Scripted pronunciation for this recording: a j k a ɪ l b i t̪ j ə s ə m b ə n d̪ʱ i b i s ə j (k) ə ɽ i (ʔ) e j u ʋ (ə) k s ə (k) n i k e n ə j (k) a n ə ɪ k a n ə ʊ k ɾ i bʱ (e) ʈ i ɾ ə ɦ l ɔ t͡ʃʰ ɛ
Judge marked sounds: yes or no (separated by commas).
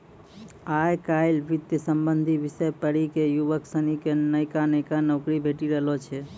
no, no, yes, no, yes, yes